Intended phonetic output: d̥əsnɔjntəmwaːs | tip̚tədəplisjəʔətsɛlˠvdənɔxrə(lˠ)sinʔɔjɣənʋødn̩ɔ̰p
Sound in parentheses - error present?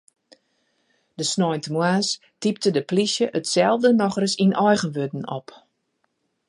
yes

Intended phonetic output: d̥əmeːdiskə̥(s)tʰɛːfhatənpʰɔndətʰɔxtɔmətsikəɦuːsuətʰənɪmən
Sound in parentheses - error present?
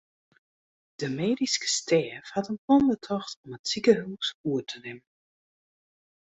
no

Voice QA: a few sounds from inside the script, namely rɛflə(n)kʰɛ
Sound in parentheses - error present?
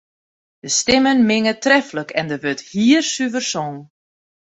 yes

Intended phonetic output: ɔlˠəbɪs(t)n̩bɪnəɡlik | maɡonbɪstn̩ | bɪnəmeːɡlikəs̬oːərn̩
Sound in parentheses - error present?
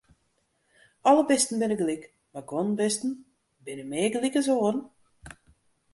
no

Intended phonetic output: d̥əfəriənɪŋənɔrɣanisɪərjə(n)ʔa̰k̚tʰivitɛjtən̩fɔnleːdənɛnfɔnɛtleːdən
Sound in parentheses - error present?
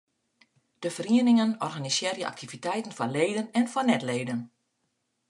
yes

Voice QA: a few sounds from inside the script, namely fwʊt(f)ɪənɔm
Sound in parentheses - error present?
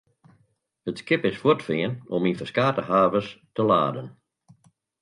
no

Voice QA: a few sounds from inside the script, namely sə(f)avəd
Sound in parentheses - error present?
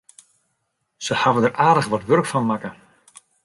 yes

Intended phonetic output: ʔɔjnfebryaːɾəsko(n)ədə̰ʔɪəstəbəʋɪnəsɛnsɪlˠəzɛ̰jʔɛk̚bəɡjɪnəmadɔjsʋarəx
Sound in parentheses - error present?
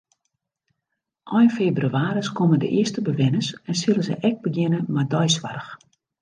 yes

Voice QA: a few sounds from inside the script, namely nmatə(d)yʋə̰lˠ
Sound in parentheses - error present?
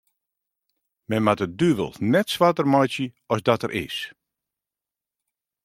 no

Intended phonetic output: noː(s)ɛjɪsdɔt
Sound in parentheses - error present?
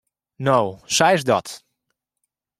no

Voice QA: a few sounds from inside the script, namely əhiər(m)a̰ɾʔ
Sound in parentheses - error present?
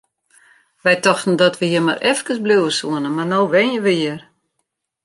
no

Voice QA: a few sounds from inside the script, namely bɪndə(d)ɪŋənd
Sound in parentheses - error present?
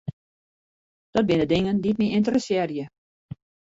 no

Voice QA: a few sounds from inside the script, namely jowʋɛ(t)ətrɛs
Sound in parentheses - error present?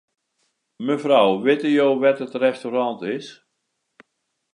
no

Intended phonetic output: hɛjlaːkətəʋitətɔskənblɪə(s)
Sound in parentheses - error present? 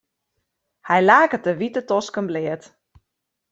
yes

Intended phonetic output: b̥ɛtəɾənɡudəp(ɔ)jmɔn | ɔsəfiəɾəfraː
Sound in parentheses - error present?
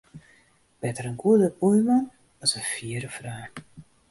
yes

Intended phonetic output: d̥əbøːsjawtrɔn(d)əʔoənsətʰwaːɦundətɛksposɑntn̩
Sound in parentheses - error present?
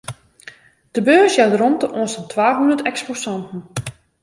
yes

